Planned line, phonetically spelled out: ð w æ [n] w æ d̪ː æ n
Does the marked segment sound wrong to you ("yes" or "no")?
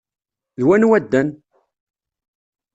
no